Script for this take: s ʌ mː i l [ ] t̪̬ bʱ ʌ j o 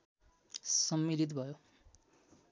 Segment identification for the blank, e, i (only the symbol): i